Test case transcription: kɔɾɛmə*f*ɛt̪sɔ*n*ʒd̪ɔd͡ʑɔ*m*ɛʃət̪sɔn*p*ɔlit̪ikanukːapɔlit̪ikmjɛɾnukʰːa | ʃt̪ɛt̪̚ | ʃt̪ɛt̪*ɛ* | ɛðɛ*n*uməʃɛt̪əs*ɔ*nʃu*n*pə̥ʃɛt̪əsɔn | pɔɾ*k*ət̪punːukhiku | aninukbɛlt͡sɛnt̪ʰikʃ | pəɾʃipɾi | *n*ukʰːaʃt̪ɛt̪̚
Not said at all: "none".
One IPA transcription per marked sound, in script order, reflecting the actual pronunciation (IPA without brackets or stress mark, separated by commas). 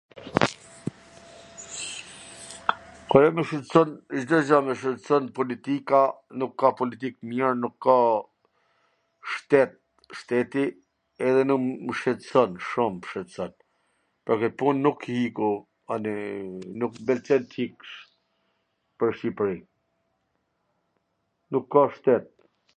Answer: ʃ, n, m, p, i, n, ɔ, m, k, n